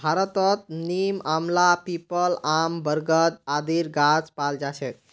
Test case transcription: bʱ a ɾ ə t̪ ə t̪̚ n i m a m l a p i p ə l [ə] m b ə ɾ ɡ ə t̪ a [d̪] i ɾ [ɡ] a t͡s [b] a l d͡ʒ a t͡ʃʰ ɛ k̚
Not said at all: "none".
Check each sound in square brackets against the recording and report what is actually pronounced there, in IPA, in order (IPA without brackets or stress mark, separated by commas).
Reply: a, d̪, ɡ, p